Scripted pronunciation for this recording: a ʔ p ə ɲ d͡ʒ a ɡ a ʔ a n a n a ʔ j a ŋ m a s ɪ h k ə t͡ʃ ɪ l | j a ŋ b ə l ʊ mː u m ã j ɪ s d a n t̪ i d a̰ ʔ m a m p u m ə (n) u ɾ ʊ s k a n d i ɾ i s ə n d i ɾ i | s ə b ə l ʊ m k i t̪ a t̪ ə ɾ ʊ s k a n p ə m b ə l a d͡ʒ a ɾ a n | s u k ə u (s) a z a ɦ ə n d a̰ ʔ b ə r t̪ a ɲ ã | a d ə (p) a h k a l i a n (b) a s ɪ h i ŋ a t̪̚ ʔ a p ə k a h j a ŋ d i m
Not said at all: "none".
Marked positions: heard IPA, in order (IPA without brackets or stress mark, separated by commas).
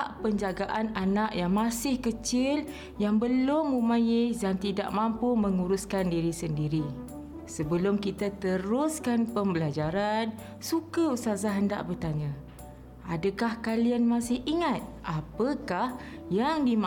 ŋ, s, k, m